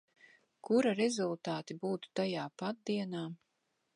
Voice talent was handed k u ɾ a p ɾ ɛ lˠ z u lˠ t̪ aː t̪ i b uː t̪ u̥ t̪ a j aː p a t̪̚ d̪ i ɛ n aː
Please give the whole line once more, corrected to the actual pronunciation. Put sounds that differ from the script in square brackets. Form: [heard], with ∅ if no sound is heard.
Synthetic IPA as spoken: k u ɾ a [∅] ɾ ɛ [∅] z u lˠ t̪ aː t̪ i b uː t̪ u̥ t̪ a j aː p a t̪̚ d̪ i ɛ n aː